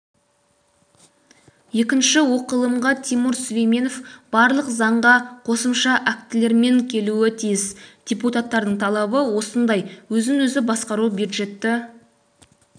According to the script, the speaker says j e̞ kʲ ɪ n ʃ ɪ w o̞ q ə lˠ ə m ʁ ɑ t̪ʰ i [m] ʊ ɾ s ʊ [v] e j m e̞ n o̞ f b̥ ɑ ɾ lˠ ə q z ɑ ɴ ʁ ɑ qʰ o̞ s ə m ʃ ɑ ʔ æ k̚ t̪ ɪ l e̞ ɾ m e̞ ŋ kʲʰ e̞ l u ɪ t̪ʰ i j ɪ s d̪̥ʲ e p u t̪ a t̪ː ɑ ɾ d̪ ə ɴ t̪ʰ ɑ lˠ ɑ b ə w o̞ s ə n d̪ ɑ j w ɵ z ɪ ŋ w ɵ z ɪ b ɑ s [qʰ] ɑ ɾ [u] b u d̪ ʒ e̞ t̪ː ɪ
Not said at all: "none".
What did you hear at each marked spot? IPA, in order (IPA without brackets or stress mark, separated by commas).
m, v, q, u